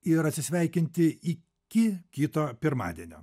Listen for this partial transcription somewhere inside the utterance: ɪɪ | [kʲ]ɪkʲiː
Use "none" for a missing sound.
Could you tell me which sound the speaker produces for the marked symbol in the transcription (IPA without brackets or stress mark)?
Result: kʲ